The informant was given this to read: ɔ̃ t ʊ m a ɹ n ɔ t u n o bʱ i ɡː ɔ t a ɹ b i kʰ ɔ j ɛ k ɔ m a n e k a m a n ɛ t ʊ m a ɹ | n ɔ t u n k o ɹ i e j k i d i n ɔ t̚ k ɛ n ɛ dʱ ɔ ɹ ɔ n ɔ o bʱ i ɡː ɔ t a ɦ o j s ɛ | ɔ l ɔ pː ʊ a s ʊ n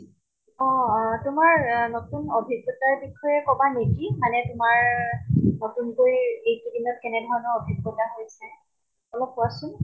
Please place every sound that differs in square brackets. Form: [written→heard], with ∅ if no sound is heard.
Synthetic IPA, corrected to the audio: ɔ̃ t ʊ m a ɹ n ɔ t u n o bʱ i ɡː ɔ t a ɹ b i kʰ ɔ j ɛ k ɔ [m→b] a n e k [a→i] m a n ɛ t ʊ m a ɹ | n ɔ t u n k o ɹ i e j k i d i n ɔ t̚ k ɛ n ɛ dʱ ɔ ɹ ɔ n ɔ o bʱ i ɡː ɔ t a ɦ o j s ɛ | ɔ l ɔ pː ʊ a s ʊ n

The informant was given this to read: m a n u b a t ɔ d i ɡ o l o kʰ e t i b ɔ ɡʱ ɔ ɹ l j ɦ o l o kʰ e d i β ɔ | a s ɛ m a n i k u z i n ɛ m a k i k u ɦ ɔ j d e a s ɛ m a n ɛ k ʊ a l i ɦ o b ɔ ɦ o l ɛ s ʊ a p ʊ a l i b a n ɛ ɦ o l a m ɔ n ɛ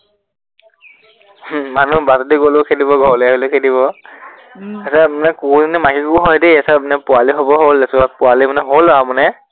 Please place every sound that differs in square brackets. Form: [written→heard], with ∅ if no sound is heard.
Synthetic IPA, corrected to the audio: m a n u b a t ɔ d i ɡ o l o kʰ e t i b ɔ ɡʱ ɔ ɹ l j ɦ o l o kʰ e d i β ɔ | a s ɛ m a n [i→ɛ] k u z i n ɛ m a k i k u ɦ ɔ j d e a s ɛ m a n ɛ [k→p] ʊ a l i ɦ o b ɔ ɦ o l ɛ s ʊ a p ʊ a l i [b→m] a n ɛ ɦ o l a m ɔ n ɛ

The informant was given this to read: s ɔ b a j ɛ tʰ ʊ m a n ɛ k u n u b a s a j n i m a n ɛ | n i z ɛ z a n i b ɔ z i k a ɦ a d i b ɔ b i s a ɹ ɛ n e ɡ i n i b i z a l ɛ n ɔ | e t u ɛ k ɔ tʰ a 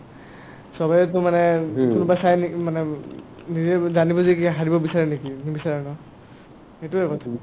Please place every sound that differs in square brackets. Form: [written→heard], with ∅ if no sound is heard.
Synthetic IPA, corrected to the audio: s ɔ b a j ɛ [tʰ→t] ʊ m a n ɛ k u n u b a s a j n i m a n ɛ | n i z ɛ z a n i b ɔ z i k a ɦ a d i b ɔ b i s a ɹ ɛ n e [ɡ→k] i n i b i [z→s] a [l→ɹ] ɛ n ɔ | e t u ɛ k ɔ tʰ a

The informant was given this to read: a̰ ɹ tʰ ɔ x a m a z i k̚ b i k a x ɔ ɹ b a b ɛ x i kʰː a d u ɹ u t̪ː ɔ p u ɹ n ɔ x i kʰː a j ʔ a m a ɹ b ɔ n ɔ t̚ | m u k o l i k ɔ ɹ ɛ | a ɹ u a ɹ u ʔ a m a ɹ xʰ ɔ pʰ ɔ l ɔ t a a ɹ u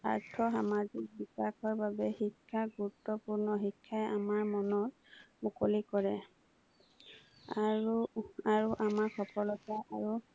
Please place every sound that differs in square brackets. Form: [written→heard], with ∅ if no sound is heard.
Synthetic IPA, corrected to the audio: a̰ ɹ tʰ ɔ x a m a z i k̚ b i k a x ɔ ɹ b a b ɛ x i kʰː a [d→ɡ] u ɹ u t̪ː ɔ p u ɹ n ɔ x i kʰː a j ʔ a m a ɹ [b→m] ɔ n ɔ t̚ | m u k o l i k ɔ ɹ ɛ | a ɹ u a ɹ u ʔ a m a ɹ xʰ ɔ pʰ ɔ l ɔ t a a ɹ u

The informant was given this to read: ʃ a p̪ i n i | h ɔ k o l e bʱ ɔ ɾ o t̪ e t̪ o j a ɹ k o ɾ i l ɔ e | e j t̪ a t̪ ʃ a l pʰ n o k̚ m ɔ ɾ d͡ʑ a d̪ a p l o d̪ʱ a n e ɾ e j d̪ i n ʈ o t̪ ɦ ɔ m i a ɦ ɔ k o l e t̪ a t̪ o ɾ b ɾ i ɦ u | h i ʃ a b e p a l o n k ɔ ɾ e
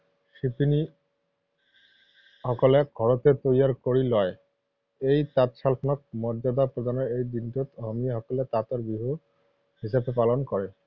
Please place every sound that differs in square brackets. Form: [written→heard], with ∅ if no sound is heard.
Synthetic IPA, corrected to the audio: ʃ [a→i] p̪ i n i | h ɔ k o l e [bʱ→ɡʱ] ɔ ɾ o t̪ e t̪ o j a [ɹ→ɾ] k o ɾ i l ɔ e | e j t̪ a t̪ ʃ a l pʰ n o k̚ m ɔ ɾ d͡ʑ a d̪ a p [l→ɾ] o d̪ʱ a n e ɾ e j d̪ i n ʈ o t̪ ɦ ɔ m i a ɦ ɔ k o l e t̪ a t̪ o ɾ b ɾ i ɦ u | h i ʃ a b e p a l o n k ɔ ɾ e

